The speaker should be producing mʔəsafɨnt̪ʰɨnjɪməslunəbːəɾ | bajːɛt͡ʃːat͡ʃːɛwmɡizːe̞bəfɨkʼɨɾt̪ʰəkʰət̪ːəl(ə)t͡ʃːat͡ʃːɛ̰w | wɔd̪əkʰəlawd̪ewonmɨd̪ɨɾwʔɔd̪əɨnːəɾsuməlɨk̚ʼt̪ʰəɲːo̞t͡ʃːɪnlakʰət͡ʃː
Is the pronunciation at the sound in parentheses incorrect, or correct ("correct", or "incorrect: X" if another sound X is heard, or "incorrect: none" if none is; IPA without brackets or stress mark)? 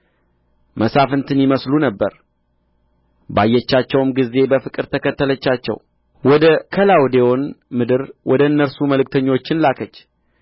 correct